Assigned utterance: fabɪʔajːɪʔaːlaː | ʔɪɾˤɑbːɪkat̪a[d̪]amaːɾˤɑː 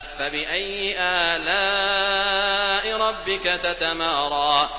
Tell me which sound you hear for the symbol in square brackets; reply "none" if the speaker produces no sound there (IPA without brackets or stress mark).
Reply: t̪